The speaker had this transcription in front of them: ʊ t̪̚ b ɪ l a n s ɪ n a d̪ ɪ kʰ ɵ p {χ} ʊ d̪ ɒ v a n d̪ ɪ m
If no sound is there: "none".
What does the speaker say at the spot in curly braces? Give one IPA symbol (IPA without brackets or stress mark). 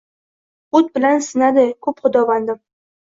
χ